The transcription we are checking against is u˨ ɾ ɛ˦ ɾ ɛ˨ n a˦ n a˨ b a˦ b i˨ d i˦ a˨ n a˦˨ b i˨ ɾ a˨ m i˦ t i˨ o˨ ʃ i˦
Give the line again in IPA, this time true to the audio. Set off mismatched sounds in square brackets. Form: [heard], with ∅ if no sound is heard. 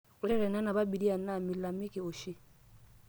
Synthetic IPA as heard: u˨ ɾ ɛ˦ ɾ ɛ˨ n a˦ n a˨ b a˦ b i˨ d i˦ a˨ n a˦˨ [m] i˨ [l] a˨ m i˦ [k] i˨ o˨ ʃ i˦